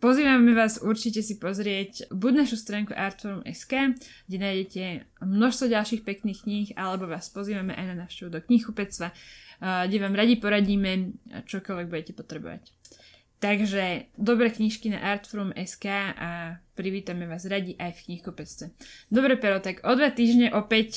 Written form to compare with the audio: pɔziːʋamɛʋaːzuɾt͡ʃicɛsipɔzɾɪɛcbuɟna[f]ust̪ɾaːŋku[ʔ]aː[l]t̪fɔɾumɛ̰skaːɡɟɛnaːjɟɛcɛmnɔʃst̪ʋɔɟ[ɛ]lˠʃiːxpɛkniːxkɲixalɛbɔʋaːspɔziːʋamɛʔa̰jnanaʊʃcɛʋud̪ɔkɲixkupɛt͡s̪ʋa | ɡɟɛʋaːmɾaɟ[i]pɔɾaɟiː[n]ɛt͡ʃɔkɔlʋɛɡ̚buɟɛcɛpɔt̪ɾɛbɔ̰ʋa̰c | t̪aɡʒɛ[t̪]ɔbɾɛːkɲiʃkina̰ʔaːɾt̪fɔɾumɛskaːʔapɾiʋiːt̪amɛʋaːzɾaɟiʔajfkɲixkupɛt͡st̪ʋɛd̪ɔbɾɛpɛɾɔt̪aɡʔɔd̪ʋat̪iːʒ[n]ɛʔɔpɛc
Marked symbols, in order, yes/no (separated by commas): no, yes, no, no, yes, no, no, no